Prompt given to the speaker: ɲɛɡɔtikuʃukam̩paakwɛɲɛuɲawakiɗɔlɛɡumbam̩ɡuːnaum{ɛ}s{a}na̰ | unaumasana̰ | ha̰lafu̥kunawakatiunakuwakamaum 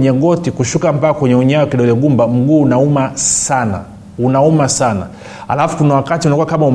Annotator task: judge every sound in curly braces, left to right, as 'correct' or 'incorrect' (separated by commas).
incorrect, correct